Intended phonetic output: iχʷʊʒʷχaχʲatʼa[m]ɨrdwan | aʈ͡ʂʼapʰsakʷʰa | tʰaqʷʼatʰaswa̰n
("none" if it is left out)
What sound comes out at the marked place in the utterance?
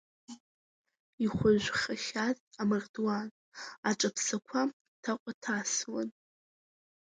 m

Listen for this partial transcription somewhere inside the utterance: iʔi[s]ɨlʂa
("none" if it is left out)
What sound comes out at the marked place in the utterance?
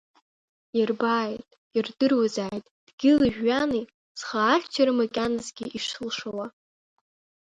ʂ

